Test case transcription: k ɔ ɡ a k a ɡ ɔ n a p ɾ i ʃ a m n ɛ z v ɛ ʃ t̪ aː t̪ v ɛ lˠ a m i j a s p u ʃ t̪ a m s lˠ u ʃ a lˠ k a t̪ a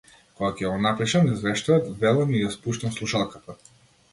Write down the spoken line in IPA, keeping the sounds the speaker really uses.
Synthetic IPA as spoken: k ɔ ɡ a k ɛ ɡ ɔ n a p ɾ i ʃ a m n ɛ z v ɛ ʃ t̪ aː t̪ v ɛ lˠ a m i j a s p u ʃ t̪ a m s lˠ u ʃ a lˠ k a t̪ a